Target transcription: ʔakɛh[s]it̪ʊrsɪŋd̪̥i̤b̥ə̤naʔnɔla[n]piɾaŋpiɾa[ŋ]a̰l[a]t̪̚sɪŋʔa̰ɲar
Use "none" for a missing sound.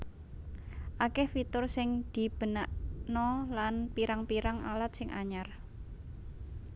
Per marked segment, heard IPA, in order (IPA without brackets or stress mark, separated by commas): f, n, ŋ, a